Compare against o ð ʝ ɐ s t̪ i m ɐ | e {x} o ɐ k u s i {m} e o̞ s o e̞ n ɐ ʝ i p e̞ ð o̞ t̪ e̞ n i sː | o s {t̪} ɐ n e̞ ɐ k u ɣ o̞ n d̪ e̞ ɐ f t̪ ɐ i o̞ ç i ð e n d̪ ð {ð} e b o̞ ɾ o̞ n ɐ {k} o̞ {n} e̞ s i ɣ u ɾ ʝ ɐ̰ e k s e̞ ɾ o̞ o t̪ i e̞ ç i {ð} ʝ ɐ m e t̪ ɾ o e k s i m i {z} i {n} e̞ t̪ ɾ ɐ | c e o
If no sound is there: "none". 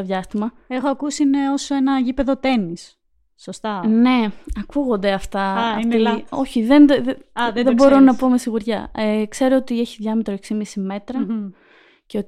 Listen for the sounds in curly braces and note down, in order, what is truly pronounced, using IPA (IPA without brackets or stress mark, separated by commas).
x, n, t̪, ð, p, m, ð, s, m